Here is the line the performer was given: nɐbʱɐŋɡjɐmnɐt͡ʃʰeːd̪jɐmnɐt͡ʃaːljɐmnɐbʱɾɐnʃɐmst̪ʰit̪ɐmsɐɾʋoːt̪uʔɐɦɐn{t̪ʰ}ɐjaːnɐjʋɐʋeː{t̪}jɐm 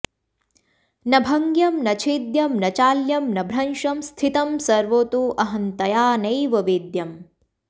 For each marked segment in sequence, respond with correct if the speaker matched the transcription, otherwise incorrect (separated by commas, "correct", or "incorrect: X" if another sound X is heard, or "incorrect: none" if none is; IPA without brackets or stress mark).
incorrect: t̪, incorrect: d̪